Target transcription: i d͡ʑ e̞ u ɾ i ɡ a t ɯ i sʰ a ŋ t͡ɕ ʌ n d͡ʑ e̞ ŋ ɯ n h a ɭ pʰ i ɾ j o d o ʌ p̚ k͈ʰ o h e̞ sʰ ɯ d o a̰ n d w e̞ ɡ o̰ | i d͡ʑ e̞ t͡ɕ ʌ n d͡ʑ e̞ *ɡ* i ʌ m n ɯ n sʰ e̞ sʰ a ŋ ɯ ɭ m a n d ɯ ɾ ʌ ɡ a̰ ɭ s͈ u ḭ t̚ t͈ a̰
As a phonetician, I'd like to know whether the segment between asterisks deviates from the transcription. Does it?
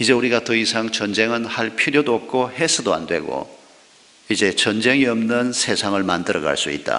yes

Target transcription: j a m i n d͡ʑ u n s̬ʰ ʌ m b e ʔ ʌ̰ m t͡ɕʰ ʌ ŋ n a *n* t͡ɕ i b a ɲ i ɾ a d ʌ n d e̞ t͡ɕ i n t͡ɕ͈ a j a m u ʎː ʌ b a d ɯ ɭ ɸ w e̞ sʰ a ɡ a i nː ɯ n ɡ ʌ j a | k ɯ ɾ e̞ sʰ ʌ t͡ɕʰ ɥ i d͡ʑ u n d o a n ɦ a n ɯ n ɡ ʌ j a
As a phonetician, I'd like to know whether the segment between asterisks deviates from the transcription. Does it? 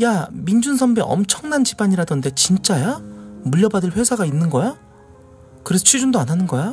no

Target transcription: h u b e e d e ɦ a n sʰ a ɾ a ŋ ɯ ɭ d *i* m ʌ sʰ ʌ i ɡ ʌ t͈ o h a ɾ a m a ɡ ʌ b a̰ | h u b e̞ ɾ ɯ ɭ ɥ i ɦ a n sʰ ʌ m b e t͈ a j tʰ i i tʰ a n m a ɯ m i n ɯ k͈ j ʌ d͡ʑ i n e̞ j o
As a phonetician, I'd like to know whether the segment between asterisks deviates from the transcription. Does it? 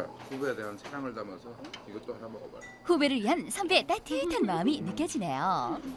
yes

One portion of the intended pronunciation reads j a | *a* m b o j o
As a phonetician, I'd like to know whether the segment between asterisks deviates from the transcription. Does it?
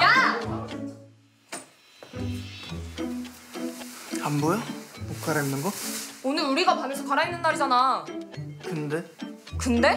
no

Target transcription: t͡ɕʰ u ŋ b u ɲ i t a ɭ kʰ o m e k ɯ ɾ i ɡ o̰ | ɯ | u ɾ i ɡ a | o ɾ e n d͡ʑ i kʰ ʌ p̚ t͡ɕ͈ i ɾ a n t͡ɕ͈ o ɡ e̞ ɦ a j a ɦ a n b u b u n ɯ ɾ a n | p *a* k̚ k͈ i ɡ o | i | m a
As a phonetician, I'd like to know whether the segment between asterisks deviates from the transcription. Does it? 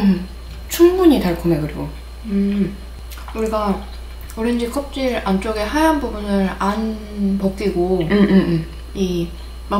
yes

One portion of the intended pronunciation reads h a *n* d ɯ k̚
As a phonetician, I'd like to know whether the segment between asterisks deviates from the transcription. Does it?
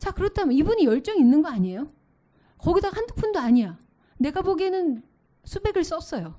no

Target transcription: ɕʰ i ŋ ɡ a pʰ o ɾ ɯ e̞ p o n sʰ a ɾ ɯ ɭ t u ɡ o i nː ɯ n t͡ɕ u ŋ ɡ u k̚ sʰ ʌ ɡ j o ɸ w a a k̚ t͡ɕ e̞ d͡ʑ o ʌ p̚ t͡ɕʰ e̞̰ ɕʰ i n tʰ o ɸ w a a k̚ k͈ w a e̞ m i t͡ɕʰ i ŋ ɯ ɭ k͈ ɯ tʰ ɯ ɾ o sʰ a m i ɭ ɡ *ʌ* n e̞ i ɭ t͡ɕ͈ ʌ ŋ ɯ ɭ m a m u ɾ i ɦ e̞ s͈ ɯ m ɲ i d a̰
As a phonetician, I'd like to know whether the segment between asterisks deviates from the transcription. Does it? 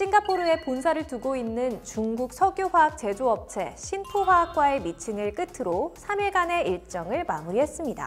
yes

